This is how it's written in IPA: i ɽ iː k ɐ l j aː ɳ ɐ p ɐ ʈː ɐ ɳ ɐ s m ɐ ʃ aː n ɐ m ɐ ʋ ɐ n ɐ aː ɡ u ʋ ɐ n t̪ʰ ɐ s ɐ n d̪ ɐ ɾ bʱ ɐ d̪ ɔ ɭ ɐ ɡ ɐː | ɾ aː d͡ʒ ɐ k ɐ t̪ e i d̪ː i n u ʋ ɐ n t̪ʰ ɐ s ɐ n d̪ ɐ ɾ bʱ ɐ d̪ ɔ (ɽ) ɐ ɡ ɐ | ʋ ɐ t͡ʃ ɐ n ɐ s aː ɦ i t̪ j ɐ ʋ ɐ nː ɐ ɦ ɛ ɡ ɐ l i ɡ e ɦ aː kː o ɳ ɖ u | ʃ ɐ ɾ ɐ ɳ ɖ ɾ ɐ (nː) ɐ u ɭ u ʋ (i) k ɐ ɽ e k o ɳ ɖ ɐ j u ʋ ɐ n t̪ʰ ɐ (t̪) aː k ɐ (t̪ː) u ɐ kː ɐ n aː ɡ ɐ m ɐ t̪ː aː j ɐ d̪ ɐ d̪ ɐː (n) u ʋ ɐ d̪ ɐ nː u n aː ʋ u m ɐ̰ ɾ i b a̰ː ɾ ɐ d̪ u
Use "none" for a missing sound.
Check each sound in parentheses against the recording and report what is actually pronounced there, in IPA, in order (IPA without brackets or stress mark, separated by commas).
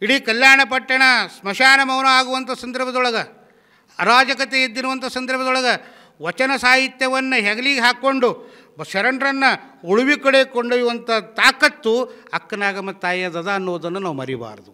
ɭ, nː, i, t̪, t̪ː, nː